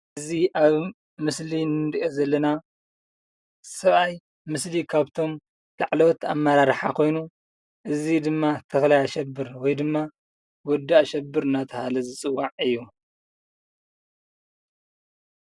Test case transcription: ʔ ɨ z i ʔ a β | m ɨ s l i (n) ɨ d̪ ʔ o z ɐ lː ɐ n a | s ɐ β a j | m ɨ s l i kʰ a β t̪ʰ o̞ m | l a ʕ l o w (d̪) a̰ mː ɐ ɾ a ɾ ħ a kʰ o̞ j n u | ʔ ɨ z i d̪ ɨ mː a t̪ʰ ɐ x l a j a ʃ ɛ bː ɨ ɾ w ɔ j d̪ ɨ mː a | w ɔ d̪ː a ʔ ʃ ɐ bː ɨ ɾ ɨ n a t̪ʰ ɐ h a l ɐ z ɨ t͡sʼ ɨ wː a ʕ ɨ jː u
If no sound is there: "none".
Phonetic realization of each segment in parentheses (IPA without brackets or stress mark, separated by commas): n, t̪